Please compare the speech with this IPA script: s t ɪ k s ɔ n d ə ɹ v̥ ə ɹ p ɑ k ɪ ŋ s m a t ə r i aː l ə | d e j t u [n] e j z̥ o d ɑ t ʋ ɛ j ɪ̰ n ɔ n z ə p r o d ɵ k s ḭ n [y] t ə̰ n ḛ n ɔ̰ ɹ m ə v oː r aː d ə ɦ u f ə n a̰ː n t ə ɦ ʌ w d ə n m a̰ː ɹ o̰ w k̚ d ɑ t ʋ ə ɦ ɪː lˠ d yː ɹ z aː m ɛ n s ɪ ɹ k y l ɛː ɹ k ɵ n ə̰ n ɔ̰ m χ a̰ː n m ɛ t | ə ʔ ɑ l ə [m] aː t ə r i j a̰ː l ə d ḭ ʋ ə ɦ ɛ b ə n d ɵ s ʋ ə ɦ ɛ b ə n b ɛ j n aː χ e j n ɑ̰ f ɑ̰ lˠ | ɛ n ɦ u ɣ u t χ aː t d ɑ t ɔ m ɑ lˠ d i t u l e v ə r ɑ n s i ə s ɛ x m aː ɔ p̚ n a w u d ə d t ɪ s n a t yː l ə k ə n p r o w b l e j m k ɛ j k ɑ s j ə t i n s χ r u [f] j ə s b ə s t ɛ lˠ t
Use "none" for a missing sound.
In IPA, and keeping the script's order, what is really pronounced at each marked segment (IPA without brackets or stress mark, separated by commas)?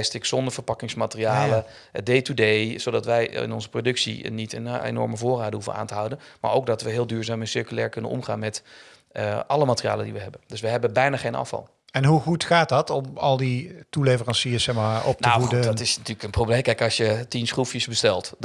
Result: d, i, m, f